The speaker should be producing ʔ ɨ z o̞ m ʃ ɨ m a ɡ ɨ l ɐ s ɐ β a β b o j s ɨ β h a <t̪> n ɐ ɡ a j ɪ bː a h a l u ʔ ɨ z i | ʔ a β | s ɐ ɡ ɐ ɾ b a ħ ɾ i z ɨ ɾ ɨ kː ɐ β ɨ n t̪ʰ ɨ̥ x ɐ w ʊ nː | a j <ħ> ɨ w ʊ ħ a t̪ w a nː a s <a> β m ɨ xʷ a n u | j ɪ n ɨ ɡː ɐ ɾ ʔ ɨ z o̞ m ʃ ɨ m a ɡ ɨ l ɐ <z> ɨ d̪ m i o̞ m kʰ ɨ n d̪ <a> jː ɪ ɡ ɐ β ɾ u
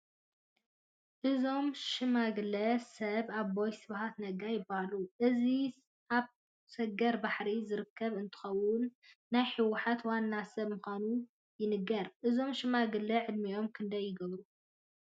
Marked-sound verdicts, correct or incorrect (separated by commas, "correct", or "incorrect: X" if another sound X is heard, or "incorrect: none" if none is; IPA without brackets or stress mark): correct, correct, incorrect: ɐ, incorrect: ʕ, incorrect: ɐ